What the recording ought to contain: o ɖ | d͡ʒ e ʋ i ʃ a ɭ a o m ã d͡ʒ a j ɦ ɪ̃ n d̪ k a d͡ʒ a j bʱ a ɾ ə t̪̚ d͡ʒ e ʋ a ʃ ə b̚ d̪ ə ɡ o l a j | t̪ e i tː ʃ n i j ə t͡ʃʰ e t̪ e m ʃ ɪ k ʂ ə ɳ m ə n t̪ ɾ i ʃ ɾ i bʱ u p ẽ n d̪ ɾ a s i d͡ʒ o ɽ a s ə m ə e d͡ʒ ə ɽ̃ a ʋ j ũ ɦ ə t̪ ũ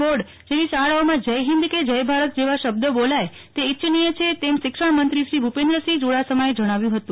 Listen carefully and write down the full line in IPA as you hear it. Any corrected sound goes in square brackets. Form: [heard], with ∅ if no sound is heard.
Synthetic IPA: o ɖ | d͡ʒ e ʋ i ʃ a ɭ a o m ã d͡ʒ [ə] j ɦ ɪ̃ n d̪ k [e] d͡ʒ [ə] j bʱ a ɾ ə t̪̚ d͡ʒ e ʋ a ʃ ə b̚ d̪ ə [b] o l a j | t̪ e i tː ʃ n i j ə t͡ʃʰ e t̪ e m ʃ ɪ k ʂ ə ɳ m ə n t̪ ɾ i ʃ ɾ i bʱ u p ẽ n d̪ ɾ [ə] s i d͡ʒ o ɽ a s ə m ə e d͡ʒ ə ɽ̃ a ʋ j ũ ɦ ə t̪ ũ

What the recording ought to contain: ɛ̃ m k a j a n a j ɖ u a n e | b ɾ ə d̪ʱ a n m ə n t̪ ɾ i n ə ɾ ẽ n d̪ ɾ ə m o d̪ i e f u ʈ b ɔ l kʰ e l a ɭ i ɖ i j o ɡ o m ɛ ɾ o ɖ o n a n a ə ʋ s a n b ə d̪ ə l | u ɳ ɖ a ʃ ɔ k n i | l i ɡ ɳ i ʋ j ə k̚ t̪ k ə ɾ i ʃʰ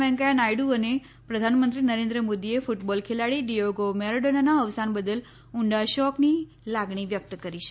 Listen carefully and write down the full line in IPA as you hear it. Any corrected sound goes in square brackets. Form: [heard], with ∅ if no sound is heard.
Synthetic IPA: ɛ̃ [ŋ] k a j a n a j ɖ u [ə] n e | [p] ɾ ə d̪ʱ a n m ə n t̪ ɾ i n ə ɾ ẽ n d̪ ɾ ə m o d̪ i e f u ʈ b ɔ l kʰ e l a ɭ i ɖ i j o ɡ o m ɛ ɾ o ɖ o n a n a ə ʋ s a n b ə d̪ ə l | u ɳ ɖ a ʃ ɔ k n i | l [a] ɡ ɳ i ʋ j ə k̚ t̪ k ə ɾ i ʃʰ

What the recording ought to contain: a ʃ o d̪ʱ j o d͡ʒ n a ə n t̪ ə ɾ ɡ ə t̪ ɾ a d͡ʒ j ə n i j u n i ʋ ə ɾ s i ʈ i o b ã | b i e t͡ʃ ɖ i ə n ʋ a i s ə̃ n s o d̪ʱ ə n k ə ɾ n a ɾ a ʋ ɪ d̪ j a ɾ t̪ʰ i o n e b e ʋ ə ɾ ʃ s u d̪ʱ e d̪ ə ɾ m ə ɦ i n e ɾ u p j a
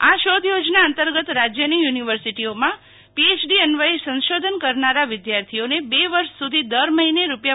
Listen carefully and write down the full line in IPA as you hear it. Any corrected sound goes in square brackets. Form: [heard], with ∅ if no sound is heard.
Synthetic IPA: a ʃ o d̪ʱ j o d͡ʒ n a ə n t̪ ə ɾ ɡ ə t̪ ɾ a d͡ʒ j ə n i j u n i ʋ ə ɾ s i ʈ i o [m] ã | [p] i e t͡ʃ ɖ i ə n ʋ a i s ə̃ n [ʃ] o d̪ʱ ə n k ə ɾ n a ɾ a ʋ ɪ d̪ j a ɾ t̪ʰ i o n e b e ʋ ə ɾ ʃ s u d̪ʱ [i] d̪ ə ɾ m ə ɦ i n e ɾ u p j a

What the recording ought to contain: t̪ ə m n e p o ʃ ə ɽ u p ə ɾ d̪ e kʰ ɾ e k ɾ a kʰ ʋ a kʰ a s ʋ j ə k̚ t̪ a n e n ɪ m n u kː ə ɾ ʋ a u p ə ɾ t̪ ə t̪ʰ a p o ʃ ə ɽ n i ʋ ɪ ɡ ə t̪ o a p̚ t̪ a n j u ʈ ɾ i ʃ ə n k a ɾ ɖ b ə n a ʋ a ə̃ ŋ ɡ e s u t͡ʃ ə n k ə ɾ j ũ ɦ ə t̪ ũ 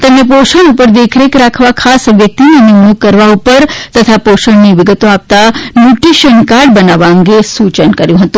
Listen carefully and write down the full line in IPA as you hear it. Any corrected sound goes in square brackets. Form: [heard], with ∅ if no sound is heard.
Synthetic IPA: t̪ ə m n e p o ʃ ə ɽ u p ə ɾ d̪ e kʰ ɾ e k ɾ a kʰ ʋ a kʰ a s ʋ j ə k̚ t̪ [i] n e n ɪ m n u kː ə ɾ ʋ a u p ə ɾ t̪ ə t̪ʰ a p o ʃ ə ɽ n i ʋ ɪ ɡ ə t̪ o a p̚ t̪ a n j u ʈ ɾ i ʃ ə n k a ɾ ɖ b ə n a ʋ a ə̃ ŋ ɡ e s u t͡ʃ ə n k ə ɾ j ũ ɦ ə t̪ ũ

